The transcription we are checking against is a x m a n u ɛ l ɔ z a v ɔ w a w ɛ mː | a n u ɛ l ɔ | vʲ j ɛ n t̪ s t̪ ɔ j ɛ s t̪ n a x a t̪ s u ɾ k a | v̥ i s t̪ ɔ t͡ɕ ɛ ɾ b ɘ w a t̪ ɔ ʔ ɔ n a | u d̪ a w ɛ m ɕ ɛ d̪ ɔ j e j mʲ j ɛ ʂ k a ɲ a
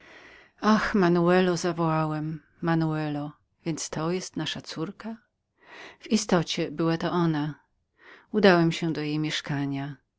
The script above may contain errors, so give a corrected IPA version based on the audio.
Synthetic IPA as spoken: a x m a n u ɛ l ɔ z a v ɔ w a w ɛ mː | a n u ɛ l ɔ | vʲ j ɛ n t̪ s t̪ ɔ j ɛ s t̪ n a ʂ a t̪ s u ɾ k a | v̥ i s t̪ ɔ t͡ɕ ɛ b ɘ w a t̪ ɔ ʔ ɔ n a | u d̪ a w ɛ m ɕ ɛ d̪ ɔ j e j mʲ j ɛ ʂ k a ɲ a